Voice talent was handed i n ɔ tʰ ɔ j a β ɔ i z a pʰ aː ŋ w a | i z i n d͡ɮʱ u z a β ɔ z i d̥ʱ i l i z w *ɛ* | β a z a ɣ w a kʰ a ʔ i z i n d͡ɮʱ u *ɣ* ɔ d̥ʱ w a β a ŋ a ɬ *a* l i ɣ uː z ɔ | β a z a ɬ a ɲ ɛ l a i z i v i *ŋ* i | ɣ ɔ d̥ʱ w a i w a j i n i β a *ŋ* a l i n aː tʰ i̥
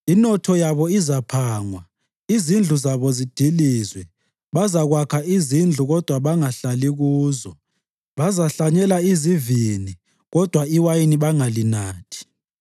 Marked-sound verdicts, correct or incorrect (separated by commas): correct, correct, correct, incorrect, correct